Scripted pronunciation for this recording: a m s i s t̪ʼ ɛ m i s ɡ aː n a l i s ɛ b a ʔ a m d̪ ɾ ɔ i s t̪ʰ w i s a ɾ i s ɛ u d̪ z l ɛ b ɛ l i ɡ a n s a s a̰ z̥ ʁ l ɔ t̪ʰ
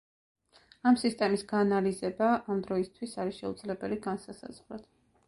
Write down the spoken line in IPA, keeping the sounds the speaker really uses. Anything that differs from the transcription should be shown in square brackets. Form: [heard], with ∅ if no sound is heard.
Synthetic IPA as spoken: a m s i s t̪ʼ ɛ m i s ɡ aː n a l i [z] ɛ b a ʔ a m d̪ ɾ ɔ i s t̪ʰ w i s a ɾ i [ʃ] ɛ u d̪ z l ɛ b ɛ l i ɡ a n s a s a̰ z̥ ʁ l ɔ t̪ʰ